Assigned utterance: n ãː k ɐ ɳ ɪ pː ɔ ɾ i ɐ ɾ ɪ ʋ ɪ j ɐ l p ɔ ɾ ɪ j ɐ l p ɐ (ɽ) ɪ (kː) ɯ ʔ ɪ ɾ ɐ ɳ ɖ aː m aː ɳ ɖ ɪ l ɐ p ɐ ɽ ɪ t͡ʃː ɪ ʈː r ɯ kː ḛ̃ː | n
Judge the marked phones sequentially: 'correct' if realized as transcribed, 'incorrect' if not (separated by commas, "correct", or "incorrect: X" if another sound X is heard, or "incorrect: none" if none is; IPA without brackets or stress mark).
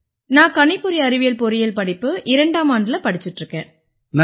correct, incorrect: pː